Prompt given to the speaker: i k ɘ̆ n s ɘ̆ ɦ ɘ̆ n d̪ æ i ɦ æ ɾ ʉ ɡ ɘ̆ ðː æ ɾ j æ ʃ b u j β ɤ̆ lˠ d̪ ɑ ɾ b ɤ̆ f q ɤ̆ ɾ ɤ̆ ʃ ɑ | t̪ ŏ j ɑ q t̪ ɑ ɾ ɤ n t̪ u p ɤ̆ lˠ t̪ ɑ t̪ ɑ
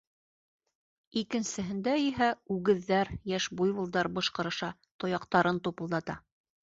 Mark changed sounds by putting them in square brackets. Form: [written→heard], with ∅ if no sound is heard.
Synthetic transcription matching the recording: i k ɘ̆ n s ɘ̆ ɦ ɘ̆ n d̪ æ i ɦ æ [ɾ→∅] ʉ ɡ ɘ̆ ðː æ ɾ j æ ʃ b u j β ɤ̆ lˠ d̪ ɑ ɾ b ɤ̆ [f→ʃ] q ɤ̆ ɾ ɤ̆ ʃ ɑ | t̪ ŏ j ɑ q t̪ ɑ ɾ ɤ n t̪ u p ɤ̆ lˠ [t̪→d̪] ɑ t̪ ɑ

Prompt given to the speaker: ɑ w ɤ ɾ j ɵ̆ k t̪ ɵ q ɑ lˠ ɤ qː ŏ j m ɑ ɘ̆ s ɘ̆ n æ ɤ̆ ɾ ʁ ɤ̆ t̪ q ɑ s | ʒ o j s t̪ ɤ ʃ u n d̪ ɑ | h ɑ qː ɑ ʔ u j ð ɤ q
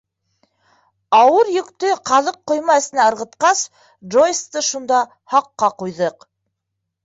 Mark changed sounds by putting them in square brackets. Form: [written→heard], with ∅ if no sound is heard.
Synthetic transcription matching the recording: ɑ w ɤ ɾ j ɵ̆ k t̪ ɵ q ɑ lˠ ɤ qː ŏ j m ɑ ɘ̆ s ɘ̆ n æ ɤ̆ ɾ ʁ ɤ̆ t̪ q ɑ s | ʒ o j s t̪ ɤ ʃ u n d̪ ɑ | h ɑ qː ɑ [ʔ→q] u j ð ɤ q

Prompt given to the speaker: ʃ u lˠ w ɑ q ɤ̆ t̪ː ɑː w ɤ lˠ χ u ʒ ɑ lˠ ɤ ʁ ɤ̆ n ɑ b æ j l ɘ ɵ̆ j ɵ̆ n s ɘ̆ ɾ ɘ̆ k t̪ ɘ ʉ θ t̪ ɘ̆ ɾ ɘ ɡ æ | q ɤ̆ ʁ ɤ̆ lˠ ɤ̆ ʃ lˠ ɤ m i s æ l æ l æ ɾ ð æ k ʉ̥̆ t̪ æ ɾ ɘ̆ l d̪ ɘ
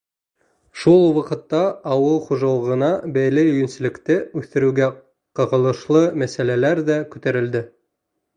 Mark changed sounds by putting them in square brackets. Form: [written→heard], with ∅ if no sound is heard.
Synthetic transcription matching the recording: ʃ u lˠ w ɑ q ɤ̆ t̪ː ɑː w ɤ lˠ χ u ʒ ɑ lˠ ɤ ʁ ɤ̆ n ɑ b æ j l ɘ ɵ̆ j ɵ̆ n s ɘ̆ [ɾ→l] ɘ̆ k t̪ ɘ ʉ θ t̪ ɘ̆ ɾ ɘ ɡ æ | q ɤ̆ ʁ ɤ̆ lˠ ɤ̆ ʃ lˠ ɤ m [i→æ] s æ l æ l æ ɾ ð æ k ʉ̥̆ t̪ æ ɾ ɘ̆ l d̪ ɘ

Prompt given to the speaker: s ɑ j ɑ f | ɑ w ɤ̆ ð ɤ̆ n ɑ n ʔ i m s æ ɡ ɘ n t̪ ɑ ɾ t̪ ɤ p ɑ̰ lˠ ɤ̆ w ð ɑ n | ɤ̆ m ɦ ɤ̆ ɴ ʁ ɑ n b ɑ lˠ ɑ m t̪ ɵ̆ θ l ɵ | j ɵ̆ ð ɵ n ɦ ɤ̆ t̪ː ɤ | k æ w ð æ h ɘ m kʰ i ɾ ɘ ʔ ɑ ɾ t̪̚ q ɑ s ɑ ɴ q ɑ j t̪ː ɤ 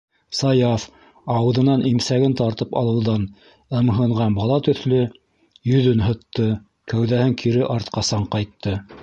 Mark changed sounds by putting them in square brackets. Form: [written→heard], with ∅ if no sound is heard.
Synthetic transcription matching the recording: s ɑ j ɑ f | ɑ w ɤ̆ ð ɤ̆ n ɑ n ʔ i m s æ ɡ ɘ n t̪ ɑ ɾ t̪ ɤ p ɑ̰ lˠ ɤ̆ w ð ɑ n | ɤ̆ m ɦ ɤ̆ ɴ ʁ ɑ n b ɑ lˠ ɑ [m→∅] t̪ ɵ̆ θ l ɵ | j ɵ̆ ð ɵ n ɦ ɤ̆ t̪ː ɤ | k æ w ð æ h ɘ [m→ŋ] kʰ i ɾ ɘ ʔ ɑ ɾ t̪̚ q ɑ s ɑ ɴ q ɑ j t̪ː ɤ

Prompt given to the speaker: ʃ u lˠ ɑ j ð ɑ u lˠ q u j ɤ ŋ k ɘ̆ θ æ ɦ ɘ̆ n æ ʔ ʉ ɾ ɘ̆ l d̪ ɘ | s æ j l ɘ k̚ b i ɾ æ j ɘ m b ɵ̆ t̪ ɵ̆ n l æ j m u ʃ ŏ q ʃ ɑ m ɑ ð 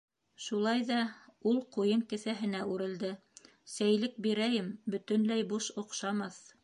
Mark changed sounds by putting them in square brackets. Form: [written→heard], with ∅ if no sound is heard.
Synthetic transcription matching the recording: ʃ u lˠ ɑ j ð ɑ u lˠ q u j ɤ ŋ k ɘ̆ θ æ ɦ ɘ̆ n æ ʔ ʉ ɾ ɘ̆ l d̪ ɘ | s æ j l ɘ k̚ b i ɾ æ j ɘ m b ɵ̆ t̪ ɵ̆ n l æ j [m→b] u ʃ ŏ q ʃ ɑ m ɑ [ð→θ]

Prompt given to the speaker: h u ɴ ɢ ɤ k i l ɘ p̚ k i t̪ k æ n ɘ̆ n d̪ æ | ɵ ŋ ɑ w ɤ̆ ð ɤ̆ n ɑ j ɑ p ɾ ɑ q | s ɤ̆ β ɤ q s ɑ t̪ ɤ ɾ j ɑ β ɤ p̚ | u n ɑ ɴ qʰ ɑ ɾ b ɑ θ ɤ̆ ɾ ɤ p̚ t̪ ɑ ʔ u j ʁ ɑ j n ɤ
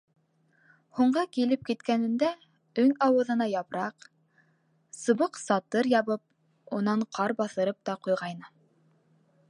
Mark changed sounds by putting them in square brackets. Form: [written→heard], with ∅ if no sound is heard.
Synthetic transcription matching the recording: h u ɴ ɢ ɤ k i l ɘ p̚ k i t̪ k æ n ɘ̆ n d̪ æ | ɵ ŋ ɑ w ɤ̆ ð ɤ̆ n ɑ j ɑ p ɾ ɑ q | s ɤ̆ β ɤ q s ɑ t̪ ɤ ɾ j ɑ β ɤ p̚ | u n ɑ ɴ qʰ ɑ ɾ b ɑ θ ɤ̆ ɾ ɤ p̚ t̪ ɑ [ʔ→q] u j ʁ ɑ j n ɤ

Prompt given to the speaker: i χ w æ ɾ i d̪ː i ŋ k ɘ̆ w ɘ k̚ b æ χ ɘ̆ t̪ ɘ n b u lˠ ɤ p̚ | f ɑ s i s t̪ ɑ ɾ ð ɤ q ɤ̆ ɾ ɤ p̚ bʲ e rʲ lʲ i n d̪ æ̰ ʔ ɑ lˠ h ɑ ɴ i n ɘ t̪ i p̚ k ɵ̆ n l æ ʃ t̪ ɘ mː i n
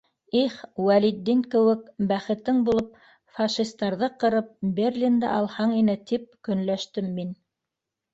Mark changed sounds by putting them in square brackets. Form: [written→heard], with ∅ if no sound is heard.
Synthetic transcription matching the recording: i χ w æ [ɾ→l] i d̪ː i ŋ k ɘ̆ w ɘ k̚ b æ χ ɘ̆ t̪ ɘ [n→ŋ] b u lˠ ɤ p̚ | f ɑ [s→ʃ] i s t̪ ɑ ɾ ð ɤ q ɤ̆ ɾ ɤ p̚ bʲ e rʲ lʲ i n d̪ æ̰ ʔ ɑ lˠ h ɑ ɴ i n ɘ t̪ i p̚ k ɵ̆ n l æ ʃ t̪ ɘ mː i n

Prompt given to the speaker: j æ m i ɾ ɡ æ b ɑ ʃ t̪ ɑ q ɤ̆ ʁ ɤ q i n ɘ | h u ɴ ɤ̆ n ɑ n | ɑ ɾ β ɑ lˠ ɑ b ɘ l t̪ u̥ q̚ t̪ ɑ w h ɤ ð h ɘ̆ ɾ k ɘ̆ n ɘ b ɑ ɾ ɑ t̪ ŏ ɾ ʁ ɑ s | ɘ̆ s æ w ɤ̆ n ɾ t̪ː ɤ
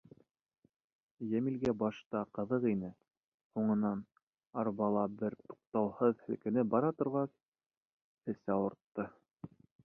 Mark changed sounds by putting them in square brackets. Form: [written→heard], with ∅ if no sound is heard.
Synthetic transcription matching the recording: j æ m i [ɾ→l] ɡ æ b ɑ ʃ t̪ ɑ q ɤ̆ [ʁ→ð] ɤ q i n ɘ | h u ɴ ɤ̆ n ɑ n | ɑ ɾ β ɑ lˠ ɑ b ɘ [l→ɾ] t̪ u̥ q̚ t̪ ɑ w h ɤ ð h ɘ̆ [ɾ→l] k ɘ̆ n ɘ b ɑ ɾ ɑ t̪ ŏ ɾ ʁ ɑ s | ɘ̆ s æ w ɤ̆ [n→∅] ɾ t̪ː ɤ

